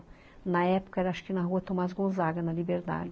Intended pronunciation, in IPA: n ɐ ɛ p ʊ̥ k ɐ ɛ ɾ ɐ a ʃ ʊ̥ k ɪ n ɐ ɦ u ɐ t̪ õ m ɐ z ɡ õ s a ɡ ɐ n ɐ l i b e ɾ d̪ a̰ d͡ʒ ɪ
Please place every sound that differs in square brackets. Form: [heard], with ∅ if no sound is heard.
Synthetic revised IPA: n ɐ ɛ p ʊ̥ k ɐ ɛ ɾ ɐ a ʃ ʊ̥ k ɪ n ɐ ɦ u ɐ t̪ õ m [a] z ɡ õ [z] a ɡ ɐ n ɐ l i b e ɾ d̪ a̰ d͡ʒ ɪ